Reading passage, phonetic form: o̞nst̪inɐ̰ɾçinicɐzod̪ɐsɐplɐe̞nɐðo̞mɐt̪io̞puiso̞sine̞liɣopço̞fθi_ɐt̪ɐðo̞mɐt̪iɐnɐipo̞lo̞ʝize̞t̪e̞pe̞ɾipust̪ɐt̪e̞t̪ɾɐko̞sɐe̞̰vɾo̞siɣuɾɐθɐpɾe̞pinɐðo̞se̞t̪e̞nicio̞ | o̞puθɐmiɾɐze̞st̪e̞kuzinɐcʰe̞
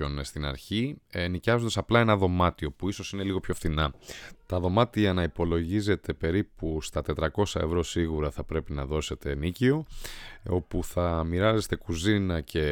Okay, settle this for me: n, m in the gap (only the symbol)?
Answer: n